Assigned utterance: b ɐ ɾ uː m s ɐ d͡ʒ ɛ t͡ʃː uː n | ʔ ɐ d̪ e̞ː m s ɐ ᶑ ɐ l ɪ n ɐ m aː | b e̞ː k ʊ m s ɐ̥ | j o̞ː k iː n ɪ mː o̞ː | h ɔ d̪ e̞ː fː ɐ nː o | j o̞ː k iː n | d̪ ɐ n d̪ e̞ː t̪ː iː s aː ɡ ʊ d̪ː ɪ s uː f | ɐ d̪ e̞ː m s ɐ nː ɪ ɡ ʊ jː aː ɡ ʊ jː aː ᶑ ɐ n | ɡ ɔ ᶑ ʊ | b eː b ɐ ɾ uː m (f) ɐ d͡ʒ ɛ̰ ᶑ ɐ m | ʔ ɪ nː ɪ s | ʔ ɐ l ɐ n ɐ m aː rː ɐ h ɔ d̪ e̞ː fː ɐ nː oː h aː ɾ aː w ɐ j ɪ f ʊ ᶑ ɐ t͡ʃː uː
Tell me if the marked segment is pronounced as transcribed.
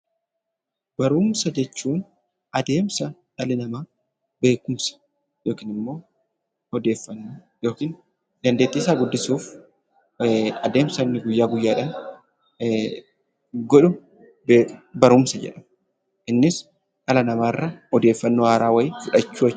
no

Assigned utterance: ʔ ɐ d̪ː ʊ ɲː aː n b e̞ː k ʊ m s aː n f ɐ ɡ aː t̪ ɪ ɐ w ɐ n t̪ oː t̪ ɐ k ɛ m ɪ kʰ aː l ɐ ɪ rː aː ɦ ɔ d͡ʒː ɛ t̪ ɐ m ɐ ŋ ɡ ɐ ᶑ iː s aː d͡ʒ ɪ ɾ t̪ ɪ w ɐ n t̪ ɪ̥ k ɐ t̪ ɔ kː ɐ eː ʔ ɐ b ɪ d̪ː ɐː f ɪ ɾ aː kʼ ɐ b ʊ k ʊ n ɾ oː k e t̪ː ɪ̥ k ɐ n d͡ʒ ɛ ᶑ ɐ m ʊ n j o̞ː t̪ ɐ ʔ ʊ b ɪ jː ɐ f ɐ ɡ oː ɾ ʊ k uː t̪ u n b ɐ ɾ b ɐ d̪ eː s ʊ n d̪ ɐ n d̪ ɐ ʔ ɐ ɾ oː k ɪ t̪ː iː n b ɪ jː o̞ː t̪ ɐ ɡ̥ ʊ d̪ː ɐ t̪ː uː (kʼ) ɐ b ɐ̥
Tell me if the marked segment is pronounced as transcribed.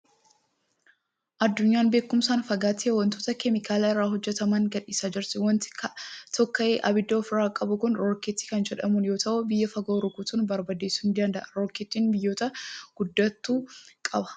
yes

